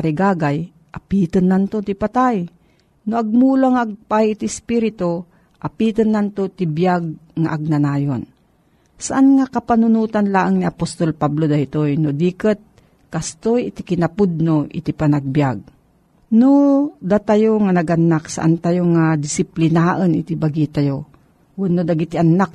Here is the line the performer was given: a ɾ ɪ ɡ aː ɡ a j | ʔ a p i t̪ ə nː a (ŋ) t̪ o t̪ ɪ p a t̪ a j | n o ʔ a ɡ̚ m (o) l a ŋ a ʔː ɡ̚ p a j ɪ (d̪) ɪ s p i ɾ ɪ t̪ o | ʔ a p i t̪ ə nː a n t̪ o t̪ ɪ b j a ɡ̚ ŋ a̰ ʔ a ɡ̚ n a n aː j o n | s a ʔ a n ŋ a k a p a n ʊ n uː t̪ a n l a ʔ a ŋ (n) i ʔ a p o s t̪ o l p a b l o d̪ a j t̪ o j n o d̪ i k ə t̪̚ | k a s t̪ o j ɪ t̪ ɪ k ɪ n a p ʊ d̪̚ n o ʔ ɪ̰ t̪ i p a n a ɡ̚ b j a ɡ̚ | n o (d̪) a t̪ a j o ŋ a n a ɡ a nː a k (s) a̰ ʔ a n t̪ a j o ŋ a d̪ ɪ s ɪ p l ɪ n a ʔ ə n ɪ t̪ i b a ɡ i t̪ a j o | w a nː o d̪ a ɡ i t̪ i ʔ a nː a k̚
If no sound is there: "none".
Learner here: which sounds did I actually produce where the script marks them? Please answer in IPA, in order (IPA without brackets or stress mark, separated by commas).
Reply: n, u, t̪, n, d̪, s